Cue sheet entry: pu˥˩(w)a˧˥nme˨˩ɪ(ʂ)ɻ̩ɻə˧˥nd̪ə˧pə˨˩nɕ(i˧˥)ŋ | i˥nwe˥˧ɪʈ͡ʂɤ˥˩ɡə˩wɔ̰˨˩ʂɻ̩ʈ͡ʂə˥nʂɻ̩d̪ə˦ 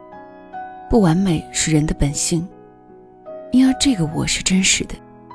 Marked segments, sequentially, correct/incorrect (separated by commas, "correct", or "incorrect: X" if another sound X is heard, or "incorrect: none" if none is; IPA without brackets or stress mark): correct, correct, incorrect: i˥˩